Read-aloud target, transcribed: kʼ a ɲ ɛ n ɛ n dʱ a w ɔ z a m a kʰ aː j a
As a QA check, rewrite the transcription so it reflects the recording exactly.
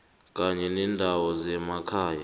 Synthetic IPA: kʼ a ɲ ɛ n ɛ n dʱ a w ɔ z ɛ m a kʰ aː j a